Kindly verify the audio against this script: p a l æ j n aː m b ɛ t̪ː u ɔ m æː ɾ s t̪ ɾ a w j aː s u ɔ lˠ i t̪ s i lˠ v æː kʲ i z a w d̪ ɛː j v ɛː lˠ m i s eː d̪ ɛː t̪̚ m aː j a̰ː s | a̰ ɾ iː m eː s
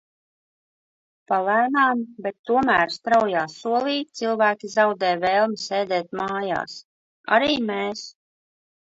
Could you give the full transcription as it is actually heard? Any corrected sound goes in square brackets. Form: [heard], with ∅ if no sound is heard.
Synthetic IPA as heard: p a l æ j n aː m b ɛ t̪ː u ɔ m æː ɾ s t̪ ɾ a w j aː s u ɔ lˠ [iː] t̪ s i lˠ v æː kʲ i z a w d̪ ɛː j v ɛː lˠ m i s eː d̪ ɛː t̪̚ m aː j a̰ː s | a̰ ɾ iː m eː s

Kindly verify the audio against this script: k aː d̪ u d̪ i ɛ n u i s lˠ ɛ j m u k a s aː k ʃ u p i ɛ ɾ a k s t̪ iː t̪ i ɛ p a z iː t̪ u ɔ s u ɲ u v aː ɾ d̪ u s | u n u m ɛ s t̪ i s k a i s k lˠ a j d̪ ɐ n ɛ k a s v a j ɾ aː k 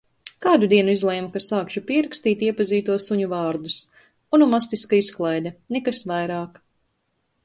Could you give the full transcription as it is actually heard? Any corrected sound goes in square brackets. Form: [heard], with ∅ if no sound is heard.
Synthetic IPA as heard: k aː d̪ u d̪ i ɛ n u i [z] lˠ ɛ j m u k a s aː k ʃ u p i ɛ ɾ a k s t̪ iː t̪ i ɛ p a z iː t̪ u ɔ s u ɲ u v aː ɾ d̪ u s | u n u m [a] s t̪ i s k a i s k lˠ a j d̪ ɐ n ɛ k a s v a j ɾ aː k

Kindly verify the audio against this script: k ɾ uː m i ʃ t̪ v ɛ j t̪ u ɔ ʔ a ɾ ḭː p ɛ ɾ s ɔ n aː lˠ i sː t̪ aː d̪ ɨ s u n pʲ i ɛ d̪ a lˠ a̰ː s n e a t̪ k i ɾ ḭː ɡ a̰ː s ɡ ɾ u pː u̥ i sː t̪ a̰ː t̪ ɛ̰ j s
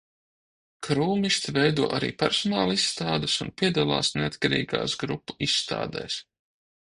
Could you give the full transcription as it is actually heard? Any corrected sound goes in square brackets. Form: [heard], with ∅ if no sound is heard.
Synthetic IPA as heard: k ɾ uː m i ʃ t̪ v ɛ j [d̪] u ɔ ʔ a ɾ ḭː p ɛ ɾ s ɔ n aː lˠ i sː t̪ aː d̪ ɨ s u n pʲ i ɛ d̪ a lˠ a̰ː s n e a t̪ k [a] ɾ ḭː ɡ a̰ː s ɡ ɾ u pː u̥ i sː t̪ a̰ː [d̪] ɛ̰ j s

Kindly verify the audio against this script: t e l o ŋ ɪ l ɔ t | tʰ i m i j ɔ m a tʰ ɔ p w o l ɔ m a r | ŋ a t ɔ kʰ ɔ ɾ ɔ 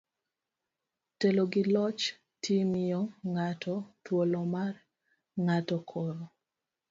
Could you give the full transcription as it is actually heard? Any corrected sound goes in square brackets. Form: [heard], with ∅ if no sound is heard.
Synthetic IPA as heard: t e l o [ɡ] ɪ l ɔ [t͡ʃ] | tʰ i m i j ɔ [ŋ] a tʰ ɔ [t] w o l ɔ m a r | ŋ a t ɔ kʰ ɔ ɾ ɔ

